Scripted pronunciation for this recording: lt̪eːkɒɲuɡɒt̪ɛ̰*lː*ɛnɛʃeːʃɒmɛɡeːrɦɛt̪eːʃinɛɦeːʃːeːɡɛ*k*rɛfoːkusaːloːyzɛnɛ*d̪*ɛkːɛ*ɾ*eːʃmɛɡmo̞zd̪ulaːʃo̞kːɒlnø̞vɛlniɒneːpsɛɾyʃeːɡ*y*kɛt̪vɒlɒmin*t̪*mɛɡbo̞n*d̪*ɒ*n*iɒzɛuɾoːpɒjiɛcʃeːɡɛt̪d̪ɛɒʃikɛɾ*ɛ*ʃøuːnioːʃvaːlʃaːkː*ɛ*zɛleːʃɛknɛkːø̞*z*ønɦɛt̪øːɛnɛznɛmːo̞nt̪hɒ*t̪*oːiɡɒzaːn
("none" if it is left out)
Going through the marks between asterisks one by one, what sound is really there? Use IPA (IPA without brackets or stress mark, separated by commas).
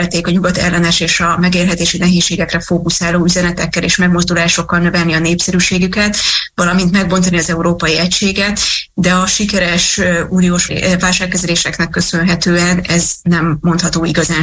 lː, k, t̪, l, y, t̪, t̪, n, ɛ, ɛ, s, t̪